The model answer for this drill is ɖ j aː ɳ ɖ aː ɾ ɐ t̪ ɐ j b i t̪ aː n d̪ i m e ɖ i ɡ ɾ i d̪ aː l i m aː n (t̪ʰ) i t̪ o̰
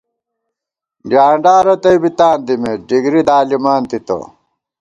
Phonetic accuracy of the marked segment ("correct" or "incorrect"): incorrect